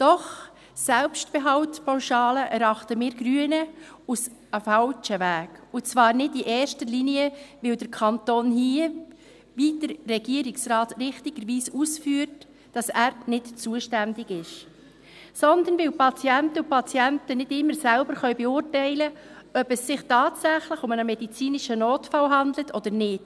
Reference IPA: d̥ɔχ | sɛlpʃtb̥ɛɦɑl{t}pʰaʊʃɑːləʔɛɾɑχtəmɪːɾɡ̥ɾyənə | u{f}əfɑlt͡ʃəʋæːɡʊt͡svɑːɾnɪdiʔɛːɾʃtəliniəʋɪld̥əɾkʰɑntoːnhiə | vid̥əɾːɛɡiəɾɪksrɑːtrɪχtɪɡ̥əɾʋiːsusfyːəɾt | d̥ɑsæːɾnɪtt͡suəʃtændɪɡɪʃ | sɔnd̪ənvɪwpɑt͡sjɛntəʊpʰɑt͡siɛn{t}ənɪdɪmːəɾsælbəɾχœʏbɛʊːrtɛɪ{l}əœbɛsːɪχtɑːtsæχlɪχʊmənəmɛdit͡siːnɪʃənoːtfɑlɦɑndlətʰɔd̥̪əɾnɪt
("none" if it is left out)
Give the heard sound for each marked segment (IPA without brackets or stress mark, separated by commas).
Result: t, s, t, l